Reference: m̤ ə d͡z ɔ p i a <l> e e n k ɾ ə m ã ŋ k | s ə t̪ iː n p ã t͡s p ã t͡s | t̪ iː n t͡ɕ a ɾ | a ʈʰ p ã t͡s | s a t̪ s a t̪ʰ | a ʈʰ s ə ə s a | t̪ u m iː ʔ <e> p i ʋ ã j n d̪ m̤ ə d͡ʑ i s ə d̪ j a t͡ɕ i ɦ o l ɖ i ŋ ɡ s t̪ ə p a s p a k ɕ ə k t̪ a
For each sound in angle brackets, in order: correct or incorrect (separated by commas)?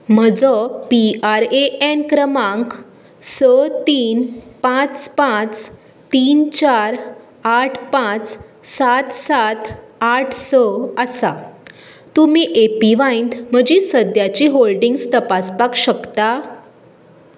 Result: incorrect, correct